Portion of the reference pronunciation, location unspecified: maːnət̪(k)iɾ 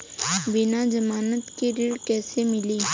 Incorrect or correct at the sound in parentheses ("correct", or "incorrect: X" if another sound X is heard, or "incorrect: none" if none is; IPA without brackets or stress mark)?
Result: correct